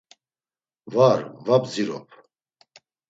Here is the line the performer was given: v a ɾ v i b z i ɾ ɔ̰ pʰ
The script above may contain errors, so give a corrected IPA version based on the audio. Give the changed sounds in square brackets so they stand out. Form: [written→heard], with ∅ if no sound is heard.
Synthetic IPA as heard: v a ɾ v [i→a] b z i ɾ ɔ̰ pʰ